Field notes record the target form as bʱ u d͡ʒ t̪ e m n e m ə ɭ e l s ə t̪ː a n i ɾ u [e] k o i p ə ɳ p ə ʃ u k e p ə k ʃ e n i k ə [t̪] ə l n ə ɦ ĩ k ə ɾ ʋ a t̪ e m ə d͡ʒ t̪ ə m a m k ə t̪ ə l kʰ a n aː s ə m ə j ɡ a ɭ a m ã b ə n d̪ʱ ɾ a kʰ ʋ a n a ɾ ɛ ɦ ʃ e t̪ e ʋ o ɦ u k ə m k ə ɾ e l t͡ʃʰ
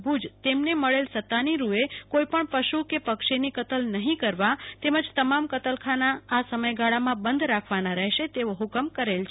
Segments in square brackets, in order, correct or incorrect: correct, correct

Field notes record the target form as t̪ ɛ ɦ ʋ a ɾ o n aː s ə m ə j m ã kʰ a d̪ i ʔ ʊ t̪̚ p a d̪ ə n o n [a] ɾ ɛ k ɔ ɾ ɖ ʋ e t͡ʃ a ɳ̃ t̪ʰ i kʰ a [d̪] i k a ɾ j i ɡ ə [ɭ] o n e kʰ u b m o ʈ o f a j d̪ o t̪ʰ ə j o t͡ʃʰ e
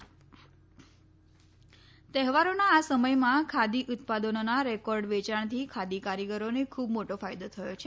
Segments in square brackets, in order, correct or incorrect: correct, correct, incorrect

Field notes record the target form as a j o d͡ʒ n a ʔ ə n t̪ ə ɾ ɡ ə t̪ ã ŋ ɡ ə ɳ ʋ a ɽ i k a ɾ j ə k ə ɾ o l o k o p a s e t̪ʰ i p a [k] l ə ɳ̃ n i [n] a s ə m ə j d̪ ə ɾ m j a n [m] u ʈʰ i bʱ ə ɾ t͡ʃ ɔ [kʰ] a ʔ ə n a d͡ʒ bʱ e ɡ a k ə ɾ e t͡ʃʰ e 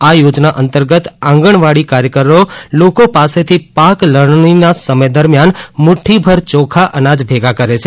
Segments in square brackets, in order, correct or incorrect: correct, correct, correct, correct

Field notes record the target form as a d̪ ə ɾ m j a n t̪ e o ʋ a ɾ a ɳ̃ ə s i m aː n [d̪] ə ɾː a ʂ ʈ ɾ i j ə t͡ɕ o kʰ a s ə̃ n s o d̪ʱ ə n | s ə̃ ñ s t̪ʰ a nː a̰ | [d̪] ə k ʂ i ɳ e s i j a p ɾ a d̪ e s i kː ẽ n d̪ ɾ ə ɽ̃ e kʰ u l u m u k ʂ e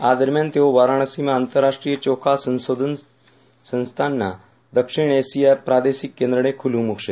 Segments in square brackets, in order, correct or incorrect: incorrect, correct

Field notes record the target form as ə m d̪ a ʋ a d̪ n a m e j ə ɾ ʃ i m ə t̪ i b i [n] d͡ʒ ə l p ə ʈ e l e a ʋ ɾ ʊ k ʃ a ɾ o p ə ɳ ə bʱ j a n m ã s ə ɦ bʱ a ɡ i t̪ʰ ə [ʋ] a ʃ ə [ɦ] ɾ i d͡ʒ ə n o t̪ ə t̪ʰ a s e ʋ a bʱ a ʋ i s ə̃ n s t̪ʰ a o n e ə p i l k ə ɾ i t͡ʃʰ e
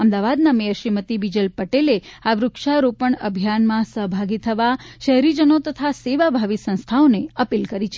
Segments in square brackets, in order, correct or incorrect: incorrect, correct, correct

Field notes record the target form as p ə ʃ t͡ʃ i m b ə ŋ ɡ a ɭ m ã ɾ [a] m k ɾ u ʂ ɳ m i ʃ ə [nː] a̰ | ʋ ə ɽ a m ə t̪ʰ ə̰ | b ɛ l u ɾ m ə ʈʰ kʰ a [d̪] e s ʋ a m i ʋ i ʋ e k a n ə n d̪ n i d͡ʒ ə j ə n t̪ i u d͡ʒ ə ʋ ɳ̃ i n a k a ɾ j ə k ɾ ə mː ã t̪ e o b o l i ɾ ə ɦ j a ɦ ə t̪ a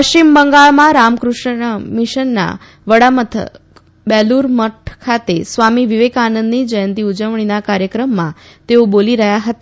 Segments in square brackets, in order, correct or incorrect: correct, correct, incorrect

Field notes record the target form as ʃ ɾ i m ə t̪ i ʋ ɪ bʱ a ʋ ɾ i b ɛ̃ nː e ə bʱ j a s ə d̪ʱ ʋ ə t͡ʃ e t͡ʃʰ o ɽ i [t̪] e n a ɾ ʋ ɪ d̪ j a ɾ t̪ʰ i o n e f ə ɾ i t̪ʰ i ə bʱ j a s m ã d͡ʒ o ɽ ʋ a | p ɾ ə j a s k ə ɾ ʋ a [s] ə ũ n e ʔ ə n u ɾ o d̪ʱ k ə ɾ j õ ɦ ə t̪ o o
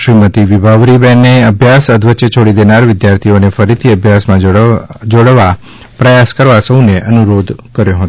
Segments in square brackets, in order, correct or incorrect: incorrect, correct

